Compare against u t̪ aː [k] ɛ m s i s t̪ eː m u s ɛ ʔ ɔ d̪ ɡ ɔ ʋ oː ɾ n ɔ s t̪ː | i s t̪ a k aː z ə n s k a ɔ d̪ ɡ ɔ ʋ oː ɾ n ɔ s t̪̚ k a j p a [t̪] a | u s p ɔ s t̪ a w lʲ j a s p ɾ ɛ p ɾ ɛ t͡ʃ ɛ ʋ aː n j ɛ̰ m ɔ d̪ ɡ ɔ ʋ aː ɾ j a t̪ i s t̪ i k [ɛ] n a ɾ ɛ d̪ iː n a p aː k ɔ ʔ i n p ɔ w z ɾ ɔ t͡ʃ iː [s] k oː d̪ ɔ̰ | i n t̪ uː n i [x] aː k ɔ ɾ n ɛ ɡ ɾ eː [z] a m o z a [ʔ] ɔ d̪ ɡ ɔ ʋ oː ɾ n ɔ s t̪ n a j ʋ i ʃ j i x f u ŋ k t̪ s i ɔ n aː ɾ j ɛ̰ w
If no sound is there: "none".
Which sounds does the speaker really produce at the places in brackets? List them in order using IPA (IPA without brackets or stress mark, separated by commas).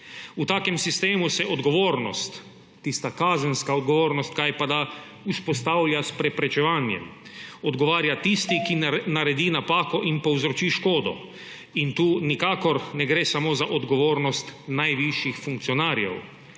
k, d̪, i, ʃ, k, s, ʔ